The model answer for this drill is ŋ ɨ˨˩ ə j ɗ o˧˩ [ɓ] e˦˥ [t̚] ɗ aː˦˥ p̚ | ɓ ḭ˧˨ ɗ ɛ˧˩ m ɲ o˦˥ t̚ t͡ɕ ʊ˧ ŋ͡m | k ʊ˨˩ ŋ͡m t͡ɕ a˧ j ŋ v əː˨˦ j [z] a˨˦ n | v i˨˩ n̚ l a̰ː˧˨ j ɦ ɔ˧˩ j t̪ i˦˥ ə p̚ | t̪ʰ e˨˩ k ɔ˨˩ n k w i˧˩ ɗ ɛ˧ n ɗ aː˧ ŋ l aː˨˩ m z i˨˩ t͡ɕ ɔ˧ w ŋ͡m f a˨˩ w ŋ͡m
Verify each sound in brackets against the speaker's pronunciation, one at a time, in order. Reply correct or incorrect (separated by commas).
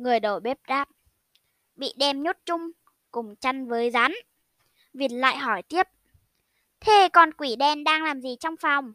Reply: correct, incorrect, correct